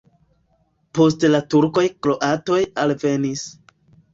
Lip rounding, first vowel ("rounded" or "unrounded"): rounded